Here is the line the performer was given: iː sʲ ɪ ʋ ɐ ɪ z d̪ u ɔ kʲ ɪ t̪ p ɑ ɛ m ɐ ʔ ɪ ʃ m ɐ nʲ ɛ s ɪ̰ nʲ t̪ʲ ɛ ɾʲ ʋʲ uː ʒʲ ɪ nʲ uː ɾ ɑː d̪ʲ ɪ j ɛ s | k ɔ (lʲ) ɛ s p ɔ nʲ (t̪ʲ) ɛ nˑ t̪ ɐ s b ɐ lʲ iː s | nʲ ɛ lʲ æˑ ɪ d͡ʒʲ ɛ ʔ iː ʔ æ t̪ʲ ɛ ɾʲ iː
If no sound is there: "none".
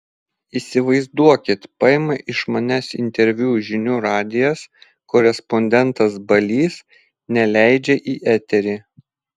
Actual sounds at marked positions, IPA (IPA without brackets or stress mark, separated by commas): ɾʲ, d̪ʲ